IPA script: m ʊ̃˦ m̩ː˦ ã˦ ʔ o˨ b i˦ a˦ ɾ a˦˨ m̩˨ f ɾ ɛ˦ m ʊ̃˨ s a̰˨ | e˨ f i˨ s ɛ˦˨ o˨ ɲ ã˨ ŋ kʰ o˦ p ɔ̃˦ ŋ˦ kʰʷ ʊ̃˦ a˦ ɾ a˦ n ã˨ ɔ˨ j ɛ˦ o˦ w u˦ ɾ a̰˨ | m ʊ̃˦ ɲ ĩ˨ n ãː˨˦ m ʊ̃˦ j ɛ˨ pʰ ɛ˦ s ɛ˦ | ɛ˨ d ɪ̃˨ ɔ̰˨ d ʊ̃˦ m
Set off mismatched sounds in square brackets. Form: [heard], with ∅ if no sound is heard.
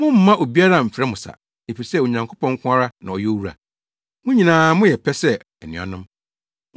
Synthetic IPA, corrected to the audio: m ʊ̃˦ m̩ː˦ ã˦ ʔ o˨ b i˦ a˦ ɾ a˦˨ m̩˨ f ɾ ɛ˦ m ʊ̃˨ s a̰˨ | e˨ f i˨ s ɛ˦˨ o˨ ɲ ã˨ ŋ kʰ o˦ p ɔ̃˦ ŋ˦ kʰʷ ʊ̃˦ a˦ ɾ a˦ n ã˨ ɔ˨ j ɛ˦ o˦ w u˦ ɾ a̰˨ | m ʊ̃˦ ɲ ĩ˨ n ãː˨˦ m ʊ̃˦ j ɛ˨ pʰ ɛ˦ s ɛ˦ | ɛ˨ [n] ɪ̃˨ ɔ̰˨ [n] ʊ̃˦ m